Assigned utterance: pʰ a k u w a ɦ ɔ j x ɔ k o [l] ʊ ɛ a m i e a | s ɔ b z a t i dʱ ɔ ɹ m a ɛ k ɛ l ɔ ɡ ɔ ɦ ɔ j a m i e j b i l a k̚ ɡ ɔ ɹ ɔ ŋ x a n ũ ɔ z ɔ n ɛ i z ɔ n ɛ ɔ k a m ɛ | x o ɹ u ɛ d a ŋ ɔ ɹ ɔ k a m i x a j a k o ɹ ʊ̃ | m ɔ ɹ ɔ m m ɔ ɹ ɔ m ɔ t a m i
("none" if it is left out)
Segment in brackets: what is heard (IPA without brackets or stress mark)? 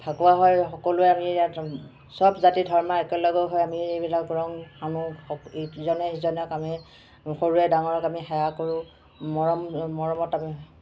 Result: l